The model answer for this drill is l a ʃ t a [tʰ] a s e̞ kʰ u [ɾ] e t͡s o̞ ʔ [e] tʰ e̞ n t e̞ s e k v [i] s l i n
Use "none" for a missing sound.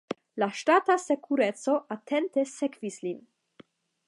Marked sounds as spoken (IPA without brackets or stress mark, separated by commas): t, ɾ, a, i